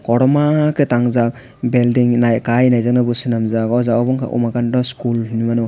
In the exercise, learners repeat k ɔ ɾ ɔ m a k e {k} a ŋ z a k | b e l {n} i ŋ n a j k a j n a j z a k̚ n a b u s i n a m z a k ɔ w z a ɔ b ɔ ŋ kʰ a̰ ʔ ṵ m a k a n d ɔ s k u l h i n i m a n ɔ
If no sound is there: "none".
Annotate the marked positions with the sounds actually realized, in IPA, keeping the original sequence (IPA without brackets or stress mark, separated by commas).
t, d